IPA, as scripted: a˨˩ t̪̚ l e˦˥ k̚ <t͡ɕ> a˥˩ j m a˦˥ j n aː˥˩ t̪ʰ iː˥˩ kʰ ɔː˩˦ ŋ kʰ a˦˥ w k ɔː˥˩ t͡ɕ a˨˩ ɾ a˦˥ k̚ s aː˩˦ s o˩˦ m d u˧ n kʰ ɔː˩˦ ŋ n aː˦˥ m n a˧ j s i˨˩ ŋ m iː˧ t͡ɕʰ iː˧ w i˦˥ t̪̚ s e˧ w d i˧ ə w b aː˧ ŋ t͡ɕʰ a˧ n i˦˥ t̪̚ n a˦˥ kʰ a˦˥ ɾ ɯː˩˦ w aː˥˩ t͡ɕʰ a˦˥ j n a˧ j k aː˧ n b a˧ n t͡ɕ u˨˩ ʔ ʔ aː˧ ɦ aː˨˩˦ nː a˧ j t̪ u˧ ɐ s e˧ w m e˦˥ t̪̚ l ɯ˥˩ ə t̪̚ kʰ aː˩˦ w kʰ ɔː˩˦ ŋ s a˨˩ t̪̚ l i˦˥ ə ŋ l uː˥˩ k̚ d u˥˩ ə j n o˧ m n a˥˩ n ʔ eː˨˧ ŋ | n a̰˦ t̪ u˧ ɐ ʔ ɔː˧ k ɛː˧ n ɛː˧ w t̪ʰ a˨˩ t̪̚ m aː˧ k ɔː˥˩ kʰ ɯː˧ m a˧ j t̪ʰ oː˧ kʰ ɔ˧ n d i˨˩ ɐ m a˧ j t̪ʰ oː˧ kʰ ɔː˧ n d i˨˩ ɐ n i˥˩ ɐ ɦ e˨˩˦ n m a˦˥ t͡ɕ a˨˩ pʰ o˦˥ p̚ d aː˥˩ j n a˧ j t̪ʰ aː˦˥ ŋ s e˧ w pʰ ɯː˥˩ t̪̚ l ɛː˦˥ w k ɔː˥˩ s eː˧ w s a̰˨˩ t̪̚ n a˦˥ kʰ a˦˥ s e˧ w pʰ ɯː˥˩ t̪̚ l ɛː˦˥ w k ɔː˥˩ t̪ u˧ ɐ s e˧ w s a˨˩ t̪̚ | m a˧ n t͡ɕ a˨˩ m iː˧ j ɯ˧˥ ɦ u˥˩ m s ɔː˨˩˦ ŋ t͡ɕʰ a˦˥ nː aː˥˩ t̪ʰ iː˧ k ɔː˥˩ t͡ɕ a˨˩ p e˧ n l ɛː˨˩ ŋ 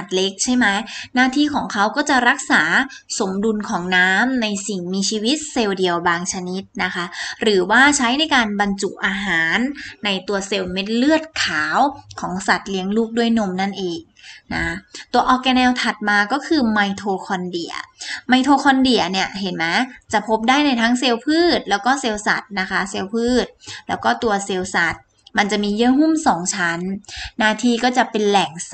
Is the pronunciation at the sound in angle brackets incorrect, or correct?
incorrect